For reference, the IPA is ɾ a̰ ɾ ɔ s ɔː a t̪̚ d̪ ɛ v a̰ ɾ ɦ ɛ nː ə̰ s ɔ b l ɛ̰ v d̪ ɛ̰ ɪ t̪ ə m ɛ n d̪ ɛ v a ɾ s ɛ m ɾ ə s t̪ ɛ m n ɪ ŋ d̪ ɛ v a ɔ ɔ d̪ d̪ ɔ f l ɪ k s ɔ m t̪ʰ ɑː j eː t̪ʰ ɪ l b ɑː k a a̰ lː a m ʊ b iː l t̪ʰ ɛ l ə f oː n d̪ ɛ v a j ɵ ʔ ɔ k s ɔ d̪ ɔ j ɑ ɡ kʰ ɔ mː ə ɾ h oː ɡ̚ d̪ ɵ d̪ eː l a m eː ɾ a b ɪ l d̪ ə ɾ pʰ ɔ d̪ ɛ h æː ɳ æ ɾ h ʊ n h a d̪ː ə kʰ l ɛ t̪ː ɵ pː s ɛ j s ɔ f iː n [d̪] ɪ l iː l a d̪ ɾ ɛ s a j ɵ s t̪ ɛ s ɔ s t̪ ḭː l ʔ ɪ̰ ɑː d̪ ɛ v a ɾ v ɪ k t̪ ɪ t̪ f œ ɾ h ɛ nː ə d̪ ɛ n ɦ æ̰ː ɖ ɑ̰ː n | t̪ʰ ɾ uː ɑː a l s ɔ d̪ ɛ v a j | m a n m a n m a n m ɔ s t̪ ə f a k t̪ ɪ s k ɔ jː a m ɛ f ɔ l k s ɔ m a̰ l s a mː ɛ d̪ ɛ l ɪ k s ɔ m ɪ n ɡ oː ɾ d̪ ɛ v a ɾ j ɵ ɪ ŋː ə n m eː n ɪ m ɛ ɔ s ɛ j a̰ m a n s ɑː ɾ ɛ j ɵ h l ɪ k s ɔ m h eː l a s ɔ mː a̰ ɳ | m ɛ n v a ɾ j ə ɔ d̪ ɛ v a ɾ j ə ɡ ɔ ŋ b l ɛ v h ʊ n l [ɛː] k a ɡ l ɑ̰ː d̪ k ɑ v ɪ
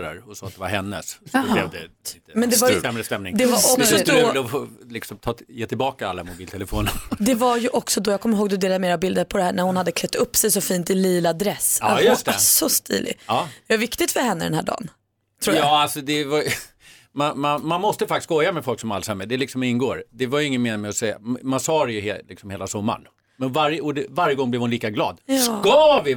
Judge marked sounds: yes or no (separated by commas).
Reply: no, no